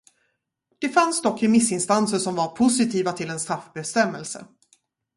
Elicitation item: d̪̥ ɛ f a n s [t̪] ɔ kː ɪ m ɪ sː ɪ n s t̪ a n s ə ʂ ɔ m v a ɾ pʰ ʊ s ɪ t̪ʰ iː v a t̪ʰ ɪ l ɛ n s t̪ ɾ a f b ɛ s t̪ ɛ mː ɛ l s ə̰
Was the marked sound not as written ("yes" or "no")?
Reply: yes